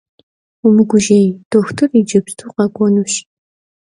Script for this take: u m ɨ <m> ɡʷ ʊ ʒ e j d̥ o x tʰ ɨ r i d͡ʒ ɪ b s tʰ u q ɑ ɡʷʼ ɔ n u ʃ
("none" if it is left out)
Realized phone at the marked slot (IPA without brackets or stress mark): none